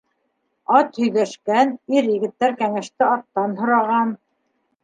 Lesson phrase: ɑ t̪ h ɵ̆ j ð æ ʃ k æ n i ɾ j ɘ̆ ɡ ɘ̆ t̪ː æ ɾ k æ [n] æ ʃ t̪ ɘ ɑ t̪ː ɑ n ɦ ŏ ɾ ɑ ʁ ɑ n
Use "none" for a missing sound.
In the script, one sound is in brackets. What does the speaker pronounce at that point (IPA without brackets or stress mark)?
ŋ